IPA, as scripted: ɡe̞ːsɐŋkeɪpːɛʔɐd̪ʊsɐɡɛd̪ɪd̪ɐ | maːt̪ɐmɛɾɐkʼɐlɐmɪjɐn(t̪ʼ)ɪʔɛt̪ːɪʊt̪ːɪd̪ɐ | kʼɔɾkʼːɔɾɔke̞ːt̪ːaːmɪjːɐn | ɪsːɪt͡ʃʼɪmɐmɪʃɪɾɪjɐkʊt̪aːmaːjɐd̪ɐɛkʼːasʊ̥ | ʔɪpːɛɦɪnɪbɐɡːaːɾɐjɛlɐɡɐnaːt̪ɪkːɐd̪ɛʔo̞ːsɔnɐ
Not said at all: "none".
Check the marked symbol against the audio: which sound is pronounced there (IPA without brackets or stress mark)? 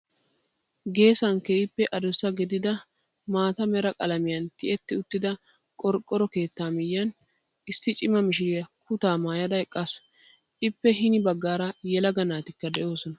t̪